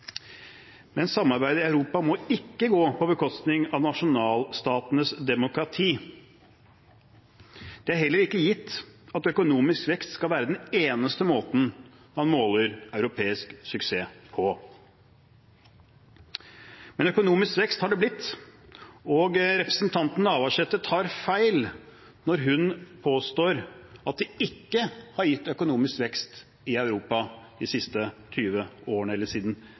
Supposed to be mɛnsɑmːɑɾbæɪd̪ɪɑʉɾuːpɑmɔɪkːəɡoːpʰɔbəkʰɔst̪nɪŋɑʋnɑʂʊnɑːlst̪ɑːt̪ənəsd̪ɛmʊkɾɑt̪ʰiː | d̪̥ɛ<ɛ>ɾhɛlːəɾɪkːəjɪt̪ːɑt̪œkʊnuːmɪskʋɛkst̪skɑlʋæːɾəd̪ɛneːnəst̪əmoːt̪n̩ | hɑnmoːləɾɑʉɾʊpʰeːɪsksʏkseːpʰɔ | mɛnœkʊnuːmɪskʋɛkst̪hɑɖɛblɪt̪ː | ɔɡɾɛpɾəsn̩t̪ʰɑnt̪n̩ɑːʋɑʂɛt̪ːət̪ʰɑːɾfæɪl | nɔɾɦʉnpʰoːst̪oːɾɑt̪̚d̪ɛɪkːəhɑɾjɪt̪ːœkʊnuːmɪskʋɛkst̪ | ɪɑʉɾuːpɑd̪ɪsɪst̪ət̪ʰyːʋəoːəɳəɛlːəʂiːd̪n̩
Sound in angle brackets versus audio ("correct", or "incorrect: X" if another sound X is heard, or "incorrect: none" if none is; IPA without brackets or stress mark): incorrect: æ